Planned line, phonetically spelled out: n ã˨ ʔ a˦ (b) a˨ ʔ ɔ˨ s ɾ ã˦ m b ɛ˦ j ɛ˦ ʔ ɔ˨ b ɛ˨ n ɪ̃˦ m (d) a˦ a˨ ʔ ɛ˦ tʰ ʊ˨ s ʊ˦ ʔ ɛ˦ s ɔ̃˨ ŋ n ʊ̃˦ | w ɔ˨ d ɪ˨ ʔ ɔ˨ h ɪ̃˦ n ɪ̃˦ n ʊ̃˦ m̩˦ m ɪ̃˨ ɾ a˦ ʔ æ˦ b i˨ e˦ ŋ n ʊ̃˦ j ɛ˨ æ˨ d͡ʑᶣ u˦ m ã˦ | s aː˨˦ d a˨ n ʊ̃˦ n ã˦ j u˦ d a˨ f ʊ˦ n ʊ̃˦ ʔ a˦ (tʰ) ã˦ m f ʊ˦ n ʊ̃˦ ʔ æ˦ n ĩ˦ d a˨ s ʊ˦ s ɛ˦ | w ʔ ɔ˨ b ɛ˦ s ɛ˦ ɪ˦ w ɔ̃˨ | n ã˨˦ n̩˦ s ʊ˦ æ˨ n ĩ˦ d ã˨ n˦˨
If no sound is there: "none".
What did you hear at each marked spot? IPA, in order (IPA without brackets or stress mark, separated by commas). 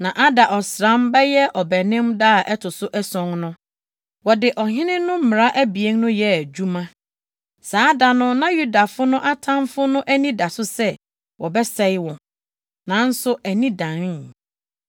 d, d, tʰ